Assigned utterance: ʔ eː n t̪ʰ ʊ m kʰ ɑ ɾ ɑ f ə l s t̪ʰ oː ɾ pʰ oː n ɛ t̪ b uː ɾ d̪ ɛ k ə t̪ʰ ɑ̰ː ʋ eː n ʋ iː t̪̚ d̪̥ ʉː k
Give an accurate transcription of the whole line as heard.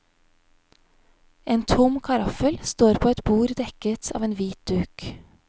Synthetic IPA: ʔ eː n t̪ʰ ʊ m kʰ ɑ ɾ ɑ f ə l s t̪ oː ɾ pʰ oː ɛ t̪ b uː ɾ d̪ ɛ k ə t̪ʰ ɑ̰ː ʋ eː n ʋ iː t̪̚ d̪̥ ʉː k